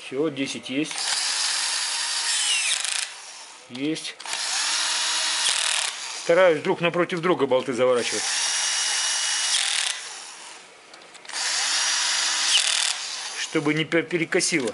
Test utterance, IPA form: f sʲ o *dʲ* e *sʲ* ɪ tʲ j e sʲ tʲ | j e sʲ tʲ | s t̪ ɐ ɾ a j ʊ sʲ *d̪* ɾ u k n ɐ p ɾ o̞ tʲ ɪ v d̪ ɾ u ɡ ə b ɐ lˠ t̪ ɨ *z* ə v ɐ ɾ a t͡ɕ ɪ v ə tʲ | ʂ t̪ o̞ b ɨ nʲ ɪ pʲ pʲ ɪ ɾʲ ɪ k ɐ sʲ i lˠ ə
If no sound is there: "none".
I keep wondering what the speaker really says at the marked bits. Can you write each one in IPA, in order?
dʲ, sʲ, d̪, z

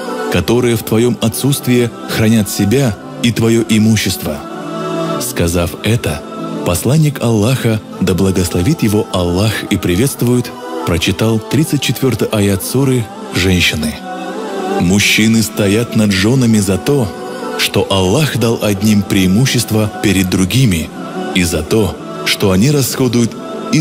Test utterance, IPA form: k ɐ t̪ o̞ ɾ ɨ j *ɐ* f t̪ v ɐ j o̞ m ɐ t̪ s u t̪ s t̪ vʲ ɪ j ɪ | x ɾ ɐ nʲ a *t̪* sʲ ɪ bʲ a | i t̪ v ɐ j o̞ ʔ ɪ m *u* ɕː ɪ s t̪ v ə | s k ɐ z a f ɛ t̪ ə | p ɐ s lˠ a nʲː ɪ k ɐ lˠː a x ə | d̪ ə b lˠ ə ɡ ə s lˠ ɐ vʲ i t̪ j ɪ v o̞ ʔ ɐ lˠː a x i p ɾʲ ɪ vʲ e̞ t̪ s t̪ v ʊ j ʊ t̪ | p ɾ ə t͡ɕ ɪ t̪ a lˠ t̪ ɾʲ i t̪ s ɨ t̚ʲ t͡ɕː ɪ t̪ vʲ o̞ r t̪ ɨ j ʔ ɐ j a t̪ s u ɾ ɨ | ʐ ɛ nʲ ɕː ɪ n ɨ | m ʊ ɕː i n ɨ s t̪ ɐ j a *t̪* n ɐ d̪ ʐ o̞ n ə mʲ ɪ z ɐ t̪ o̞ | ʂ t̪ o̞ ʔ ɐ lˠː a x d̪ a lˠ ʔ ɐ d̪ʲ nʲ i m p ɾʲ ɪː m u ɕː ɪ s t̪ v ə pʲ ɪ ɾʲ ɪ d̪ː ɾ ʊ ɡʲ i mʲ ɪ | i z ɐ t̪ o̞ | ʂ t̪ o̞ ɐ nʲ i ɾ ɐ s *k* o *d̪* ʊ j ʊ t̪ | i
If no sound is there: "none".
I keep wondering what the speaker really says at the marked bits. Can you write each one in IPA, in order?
ə, t̪, u, t̪, x, d̪

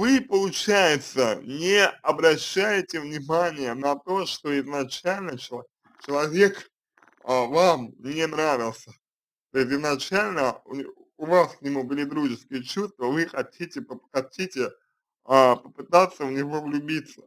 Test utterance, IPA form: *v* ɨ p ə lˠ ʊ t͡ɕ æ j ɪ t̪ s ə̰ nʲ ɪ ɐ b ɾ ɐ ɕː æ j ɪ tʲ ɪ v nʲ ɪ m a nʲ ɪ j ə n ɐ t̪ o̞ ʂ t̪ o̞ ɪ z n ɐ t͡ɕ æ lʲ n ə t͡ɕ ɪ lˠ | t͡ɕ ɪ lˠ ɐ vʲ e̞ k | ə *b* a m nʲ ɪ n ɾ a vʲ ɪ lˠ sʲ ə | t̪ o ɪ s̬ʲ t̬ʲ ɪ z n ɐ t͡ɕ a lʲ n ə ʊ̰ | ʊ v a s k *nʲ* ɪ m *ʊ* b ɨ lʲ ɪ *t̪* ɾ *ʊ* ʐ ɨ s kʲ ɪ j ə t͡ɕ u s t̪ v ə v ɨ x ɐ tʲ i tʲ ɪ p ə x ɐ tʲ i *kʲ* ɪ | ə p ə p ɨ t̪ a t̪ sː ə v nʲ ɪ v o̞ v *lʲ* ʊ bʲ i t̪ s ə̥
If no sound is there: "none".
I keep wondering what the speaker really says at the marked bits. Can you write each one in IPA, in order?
v, v, nʲ, u, d̪, u, tʲ, lʲ

